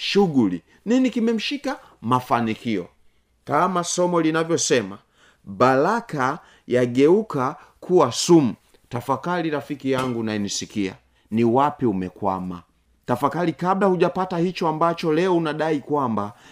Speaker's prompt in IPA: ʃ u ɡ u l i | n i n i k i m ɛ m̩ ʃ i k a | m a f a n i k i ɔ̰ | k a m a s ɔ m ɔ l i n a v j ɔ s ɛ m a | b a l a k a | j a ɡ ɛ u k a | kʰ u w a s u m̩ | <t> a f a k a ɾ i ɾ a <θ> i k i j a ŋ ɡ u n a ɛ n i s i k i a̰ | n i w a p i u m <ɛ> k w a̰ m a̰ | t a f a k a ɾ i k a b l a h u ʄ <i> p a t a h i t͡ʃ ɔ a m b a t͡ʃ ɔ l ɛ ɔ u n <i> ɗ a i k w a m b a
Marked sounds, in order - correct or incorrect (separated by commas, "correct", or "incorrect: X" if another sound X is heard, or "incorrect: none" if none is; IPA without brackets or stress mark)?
correct, incorrect: f, correct, incorrect: a, incorrect: a